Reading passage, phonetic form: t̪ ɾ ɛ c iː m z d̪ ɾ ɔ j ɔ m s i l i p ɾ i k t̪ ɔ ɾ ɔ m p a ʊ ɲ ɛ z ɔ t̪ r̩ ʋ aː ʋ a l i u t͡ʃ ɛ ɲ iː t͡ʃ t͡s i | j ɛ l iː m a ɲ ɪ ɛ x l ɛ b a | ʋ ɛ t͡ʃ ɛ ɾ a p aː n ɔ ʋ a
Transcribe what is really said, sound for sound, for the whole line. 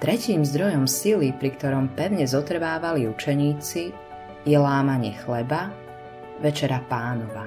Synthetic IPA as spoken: t̪ ɾ ɛ c iː m z d̪ ɾ ɔ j ɔ m s i l i p ɾ i k t̪ ɔ ɾ ɔ m p ɛ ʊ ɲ ɛ z ɔ t̪ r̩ ʋ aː ʋ a l i u t͡ʃ ɛ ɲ iː t͡s i | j ɛ l aː m a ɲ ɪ ɛ x l ɛ b a | ʋ ɛ t͡ʃ ɛ ɾ a p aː n ɔ ʋ a